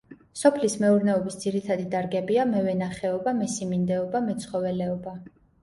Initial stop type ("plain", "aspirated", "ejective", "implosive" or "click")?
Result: aspirated